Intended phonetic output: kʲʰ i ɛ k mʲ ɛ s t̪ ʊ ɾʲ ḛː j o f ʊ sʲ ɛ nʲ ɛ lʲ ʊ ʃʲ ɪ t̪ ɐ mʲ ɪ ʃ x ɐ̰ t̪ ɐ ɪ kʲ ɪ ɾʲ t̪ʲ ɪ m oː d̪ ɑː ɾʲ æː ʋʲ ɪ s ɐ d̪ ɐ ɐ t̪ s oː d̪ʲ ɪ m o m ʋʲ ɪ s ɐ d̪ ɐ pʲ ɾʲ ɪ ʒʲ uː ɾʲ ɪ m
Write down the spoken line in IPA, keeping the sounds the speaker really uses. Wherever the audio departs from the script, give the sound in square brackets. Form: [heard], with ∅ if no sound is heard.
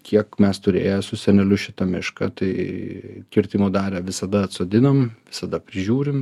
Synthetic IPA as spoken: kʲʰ i ɛ k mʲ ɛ s t̪ ʊ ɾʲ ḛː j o [s] ʊ sʲ ɛ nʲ ɛ lʲ ʊ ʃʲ ɪ t̪ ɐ mʲ ɪ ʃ [k] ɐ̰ t̪ ɐ ɪ kʲ ɪ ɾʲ t̪ʲ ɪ m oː d̪ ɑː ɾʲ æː ʋʲ ɪ s ɐ d̪ ɐ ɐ t̪ s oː d̪ʲ ɪ [n] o m ʋʲ ɪ s ɐ d̪ ɐ pʲ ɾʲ ɪ ʒʲ uː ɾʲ ɪ m